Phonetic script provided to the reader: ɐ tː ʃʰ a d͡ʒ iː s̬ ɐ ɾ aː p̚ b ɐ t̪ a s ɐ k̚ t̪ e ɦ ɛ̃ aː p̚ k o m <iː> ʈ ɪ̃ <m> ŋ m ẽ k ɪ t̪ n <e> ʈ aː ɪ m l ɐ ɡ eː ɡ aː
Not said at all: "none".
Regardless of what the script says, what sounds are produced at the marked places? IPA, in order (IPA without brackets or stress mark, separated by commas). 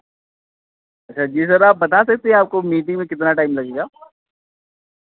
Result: iː, none, a